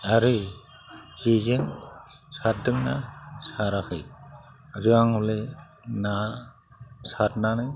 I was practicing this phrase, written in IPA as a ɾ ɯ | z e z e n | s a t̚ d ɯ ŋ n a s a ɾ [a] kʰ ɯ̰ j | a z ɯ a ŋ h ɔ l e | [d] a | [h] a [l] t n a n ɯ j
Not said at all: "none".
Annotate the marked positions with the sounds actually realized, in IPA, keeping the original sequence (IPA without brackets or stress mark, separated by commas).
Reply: a, n, s, none